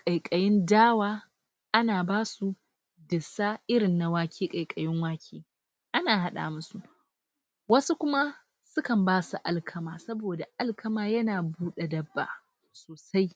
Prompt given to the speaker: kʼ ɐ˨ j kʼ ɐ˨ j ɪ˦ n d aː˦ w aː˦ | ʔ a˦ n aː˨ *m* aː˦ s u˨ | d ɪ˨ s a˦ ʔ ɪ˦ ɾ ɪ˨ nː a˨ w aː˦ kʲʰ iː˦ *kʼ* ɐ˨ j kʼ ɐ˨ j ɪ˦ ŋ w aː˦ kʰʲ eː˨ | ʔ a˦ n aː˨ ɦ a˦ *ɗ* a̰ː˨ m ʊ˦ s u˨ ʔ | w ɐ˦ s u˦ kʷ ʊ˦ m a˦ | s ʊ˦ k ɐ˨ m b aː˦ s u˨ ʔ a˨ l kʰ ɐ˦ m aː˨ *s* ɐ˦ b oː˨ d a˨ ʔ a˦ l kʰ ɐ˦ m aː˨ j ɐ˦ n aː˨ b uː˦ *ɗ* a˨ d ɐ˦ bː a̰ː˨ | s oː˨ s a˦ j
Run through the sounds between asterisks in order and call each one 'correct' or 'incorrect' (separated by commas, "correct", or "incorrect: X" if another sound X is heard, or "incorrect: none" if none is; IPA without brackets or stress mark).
incorrect: b, correct, correct, correct, correct